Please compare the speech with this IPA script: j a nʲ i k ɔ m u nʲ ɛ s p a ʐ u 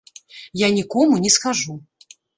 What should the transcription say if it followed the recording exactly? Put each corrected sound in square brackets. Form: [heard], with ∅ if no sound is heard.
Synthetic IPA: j a nʲ i k ɔ m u nʲ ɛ s [k] a ʐ u